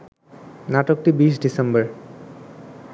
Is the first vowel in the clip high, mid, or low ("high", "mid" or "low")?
low